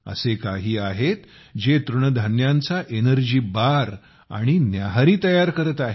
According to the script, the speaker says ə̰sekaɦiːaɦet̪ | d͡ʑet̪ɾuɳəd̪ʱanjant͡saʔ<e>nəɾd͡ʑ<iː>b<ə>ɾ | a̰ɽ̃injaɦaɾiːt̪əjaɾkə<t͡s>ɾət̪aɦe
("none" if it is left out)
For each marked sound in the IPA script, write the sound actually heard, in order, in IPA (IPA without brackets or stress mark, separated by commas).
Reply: e, iː, a, none